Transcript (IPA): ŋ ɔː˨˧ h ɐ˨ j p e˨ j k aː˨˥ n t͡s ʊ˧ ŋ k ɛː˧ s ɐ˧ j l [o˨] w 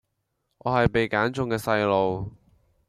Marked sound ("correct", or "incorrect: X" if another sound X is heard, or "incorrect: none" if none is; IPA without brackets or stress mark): correct